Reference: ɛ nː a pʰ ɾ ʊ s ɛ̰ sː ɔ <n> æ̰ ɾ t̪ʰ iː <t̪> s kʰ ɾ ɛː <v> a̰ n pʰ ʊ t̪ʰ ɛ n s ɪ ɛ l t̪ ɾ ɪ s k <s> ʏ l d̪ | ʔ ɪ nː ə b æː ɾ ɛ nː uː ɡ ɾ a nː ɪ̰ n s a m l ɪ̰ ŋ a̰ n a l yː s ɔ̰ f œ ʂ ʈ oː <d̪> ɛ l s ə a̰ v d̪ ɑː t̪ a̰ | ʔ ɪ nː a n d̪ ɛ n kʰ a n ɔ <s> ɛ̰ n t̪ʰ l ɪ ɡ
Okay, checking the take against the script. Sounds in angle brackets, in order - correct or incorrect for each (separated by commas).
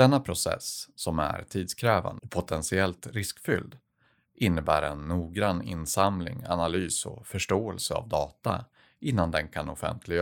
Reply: incorrect, incorrect, correct, incorrect, incorrect, incorrect